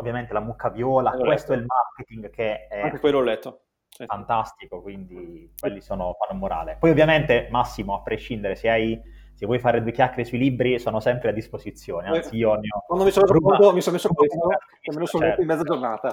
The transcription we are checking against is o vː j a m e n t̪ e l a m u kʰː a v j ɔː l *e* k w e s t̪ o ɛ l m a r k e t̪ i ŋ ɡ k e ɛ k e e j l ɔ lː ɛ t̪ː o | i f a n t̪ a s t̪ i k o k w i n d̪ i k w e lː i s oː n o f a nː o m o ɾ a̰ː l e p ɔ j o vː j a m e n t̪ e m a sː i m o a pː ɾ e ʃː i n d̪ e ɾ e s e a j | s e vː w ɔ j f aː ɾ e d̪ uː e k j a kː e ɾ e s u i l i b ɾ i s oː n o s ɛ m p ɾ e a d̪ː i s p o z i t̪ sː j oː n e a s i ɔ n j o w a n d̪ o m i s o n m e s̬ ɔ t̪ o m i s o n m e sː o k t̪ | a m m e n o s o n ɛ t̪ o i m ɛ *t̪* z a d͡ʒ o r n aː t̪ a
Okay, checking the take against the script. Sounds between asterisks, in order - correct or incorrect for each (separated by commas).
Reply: incorrect, incorrect